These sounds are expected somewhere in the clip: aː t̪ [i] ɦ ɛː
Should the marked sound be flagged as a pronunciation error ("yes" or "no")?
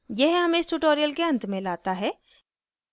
yes